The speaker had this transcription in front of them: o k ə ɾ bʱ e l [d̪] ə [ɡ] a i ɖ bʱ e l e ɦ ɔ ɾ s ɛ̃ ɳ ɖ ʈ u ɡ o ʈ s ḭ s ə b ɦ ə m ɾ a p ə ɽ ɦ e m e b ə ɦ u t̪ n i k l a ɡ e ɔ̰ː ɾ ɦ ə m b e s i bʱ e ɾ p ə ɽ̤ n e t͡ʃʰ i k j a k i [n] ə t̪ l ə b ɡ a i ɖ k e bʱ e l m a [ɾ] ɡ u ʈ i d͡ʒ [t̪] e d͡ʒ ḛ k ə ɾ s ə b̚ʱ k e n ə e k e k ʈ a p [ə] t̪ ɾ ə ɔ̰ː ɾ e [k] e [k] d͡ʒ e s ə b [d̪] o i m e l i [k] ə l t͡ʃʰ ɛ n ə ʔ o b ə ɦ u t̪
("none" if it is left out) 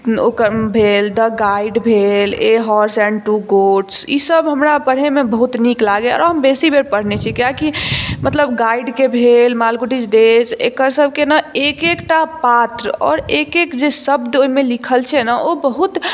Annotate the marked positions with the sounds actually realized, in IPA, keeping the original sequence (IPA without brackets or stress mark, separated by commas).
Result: d̪, ɡ, m, l, d̪, a, k, k, d̪, kʰ